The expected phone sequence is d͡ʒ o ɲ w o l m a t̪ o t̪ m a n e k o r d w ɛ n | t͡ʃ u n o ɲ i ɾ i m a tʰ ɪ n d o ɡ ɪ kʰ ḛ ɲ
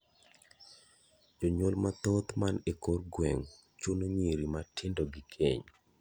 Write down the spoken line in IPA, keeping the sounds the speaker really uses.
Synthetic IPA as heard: d͡ʒ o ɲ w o l m a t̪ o t̪ m a n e k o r ɡ w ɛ ŋ | t͡ʃ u n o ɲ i ɾ i m a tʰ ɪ n d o ɡ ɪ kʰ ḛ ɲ